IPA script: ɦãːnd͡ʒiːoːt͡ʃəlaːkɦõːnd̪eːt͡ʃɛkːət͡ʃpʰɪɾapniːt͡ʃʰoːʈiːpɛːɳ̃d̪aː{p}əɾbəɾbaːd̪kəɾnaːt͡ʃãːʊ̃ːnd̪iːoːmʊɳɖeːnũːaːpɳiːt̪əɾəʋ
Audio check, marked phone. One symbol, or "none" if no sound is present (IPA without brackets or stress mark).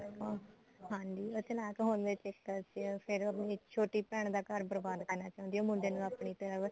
k